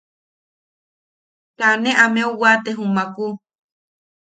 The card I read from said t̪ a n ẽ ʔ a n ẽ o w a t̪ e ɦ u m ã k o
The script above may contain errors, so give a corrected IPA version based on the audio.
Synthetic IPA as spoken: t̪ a n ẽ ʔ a m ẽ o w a t̪ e ɦ u m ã k u